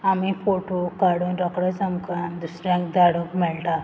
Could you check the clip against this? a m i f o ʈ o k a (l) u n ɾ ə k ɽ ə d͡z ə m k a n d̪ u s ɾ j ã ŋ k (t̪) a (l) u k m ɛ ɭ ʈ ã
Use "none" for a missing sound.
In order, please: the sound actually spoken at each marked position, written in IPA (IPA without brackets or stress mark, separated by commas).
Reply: ɽ, d̪, ɽ